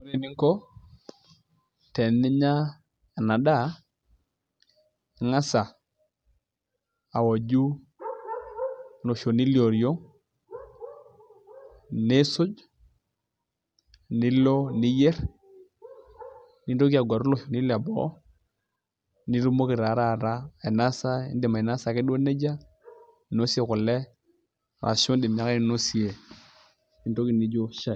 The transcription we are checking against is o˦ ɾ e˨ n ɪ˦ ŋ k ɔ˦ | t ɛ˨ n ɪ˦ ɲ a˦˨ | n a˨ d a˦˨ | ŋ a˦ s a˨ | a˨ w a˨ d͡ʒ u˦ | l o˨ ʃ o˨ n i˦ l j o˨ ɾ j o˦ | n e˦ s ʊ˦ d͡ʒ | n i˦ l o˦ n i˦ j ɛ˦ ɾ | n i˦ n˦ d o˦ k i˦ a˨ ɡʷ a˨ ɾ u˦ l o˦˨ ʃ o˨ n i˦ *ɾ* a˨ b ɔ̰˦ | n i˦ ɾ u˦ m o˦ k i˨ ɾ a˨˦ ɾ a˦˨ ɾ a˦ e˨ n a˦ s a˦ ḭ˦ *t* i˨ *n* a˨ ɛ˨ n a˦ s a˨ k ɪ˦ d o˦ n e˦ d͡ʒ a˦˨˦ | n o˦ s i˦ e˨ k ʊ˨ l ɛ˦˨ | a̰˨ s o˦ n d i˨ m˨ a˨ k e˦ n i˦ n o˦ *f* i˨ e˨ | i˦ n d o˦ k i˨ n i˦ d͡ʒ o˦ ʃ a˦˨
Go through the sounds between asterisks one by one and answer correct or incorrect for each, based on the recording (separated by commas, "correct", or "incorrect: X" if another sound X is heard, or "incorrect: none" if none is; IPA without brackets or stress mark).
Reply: incorrect: l, incorrect: d, incorrect: m, incorrect: s